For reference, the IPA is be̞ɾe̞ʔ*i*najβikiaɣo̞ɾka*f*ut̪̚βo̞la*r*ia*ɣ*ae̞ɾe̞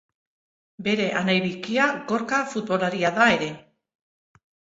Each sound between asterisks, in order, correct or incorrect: incorrect, correct, incorrect, incorrect

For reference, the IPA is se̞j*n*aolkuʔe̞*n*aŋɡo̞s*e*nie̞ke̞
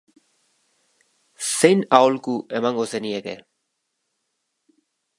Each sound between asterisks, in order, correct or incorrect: correct, incorrect, correct

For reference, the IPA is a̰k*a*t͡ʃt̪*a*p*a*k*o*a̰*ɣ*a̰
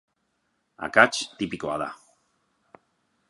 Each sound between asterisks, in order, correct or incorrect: correct, incorrect, incorrect, correct, incorrect

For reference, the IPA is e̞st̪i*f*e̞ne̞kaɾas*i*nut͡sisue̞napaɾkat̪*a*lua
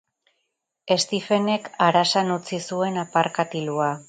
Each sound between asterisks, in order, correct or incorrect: correct, incorrect, incorrect

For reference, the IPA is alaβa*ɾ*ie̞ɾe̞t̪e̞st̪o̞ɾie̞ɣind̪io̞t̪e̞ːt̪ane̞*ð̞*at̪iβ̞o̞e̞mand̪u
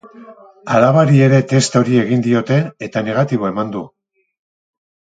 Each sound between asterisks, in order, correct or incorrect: correct, incorrect

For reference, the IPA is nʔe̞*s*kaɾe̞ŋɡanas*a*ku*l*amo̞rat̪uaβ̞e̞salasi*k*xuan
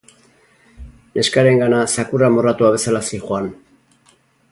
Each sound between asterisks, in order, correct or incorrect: correct, correct, incorrect, incorrect

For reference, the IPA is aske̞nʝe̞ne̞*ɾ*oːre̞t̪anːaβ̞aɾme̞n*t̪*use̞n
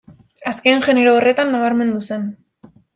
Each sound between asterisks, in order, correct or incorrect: correct, incorrect

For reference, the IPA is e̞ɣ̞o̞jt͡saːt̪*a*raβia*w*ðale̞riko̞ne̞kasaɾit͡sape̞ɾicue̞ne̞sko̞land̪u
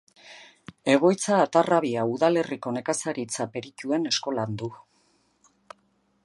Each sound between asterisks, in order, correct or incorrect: correct, incorrect

